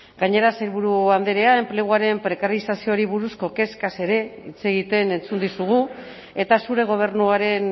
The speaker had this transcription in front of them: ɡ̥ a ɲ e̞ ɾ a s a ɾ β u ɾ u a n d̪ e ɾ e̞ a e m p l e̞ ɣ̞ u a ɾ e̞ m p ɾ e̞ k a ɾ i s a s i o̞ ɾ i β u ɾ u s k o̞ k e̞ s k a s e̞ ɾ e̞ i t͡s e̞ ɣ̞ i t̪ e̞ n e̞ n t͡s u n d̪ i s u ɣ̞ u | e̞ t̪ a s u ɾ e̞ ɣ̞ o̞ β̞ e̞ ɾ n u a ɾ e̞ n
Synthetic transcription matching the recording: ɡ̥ a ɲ e̞ ɾ a s e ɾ β u ɾ u a n d̪ e ɾ e̞ a e m p l e̞ ɣ̞ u a ɾ e̞ m p ɾ e̞ k a ɾ i s a s i o̞ ɾ i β u ɾ u s k o̞ k e̞ s k a s e̞ ɾ e̞ i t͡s e̞ ɣ̞ i t̪ e̞ n e̞ n t͡s u n d̪ i s u ɣ̞ u | e̞ t̪ a s u ɾ e̞ ɣ̞ o̞ β̞ e̞ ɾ n u a ɾ e̞ n